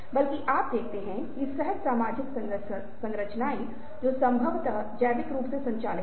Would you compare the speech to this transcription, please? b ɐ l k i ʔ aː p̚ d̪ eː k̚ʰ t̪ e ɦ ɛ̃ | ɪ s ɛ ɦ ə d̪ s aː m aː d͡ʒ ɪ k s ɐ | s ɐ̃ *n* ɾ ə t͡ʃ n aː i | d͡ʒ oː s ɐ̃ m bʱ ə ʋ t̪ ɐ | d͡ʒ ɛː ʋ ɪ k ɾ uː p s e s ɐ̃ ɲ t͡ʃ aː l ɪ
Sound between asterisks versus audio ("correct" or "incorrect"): incorrect